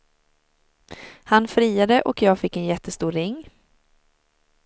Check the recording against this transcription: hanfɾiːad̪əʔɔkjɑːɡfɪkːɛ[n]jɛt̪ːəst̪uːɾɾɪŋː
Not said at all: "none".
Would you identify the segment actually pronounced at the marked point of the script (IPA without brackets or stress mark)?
n